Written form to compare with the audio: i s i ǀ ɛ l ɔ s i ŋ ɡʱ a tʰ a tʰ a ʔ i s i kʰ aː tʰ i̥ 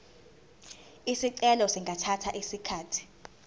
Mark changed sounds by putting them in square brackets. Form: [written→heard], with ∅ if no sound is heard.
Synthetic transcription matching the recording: i s i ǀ ɛ l ɔ s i ŋ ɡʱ a tʰ a tʰ a ʔ i s i kʰ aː tʰ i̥